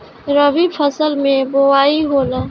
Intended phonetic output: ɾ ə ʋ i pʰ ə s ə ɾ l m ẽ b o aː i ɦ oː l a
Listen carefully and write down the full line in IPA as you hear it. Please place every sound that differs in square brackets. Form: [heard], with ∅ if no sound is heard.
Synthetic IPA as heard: ɾ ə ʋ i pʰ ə s ə [∅] l m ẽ b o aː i ɦ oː l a